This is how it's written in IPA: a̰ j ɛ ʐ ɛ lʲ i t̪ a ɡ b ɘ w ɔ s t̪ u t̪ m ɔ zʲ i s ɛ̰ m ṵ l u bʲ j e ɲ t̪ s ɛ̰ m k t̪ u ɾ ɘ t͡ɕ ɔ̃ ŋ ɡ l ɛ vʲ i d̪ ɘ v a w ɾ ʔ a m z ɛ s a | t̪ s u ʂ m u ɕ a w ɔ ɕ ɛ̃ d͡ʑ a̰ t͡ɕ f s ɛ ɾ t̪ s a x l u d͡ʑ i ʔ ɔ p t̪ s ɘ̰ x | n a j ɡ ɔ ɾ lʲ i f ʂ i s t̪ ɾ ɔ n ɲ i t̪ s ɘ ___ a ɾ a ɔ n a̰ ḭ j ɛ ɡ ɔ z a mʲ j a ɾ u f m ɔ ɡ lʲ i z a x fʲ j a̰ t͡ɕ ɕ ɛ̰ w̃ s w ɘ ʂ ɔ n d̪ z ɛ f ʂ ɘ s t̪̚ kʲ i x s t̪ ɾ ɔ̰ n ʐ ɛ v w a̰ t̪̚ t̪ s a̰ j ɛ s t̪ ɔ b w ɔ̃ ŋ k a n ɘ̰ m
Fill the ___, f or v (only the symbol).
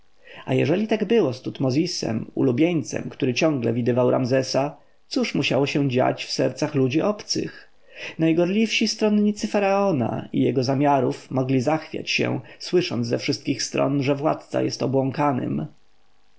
f